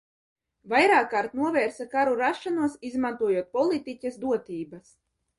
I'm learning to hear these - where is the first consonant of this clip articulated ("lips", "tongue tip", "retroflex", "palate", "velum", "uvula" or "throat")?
lips